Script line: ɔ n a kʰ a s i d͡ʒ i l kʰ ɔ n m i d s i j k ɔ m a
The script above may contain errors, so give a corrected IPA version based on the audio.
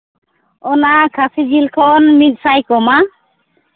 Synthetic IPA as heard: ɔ n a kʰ a s i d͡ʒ i l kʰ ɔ n m i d s a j k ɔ m a